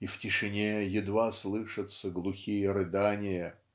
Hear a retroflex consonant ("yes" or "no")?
yes